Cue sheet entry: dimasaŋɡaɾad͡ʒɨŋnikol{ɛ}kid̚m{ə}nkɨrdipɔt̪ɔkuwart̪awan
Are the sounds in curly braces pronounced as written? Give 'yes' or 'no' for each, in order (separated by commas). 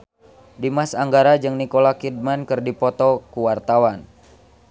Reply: no, no